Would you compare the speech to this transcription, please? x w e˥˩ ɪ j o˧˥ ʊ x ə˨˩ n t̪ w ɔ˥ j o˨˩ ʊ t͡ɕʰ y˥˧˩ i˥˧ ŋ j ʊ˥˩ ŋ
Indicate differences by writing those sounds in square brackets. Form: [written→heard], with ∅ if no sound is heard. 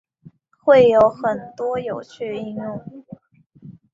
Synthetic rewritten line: x w e˥˩ ɪ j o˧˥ ʊ x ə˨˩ n t̪ w ɔ˥ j o˨˩ ʊ t͡ɕʰ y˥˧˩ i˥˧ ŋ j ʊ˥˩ ŋ